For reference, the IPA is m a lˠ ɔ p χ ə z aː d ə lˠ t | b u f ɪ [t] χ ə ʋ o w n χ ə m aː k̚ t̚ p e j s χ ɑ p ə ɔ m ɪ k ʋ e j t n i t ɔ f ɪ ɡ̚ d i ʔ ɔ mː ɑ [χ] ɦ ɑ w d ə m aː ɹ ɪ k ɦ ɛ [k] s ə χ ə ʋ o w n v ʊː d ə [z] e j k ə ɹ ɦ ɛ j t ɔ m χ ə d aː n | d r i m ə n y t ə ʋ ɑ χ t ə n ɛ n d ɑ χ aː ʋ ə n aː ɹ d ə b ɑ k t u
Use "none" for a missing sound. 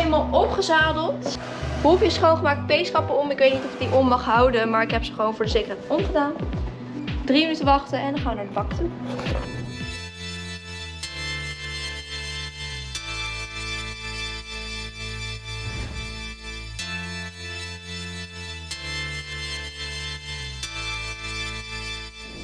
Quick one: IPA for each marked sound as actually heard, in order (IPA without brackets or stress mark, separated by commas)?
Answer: s, χ, p, z